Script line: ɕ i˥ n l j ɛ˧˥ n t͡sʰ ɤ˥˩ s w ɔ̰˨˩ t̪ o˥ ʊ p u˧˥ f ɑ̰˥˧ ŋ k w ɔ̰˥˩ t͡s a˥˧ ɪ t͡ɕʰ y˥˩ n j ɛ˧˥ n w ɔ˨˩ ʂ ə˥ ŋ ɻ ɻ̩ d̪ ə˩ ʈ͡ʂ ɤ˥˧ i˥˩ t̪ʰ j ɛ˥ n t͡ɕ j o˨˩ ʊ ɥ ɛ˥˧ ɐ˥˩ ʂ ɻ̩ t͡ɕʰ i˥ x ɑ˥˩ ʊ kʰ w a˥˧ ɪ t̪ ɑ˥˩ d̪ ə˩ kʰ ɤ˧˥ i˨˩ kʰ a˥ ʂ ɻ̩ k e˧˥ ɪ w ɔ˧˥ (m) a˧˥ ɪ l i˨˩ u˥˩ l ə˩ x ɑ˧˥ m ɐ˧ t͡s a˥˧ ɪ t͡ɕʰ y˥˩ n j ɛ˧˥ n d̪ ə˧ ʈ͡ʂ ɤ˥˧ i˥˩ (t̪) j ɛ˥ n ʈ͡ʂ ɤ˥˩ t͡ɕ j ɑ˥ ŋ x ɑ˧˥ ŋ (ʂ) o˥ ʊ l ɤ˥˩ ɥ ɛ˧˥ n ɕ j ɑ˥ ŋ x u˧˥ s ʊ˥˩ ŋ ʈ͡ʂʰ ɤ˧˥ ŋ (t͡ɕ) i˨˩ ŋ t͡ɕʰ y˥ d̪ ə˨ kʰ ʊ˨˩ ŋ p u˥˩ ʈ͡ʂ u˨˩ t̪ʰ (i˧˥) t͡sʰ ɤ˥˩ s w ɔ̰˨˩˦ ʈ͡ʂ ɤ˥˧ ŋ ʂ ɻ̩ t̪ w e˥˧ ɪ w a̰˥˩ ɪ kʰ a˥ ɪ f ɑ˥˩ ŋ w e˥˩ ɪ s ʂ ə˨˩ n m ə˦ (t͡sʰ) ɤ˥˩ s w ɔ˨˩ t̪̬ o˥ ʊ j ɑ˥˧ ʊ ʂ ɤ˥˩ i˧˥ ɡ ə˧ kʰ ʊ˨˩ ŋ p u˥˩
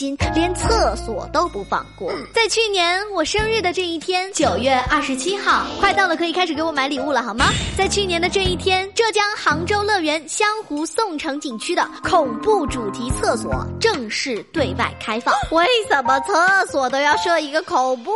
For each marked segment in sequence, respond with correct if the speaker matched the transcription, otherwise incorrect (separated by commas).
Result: correct, incorrect, incorrect, correct, correct, correct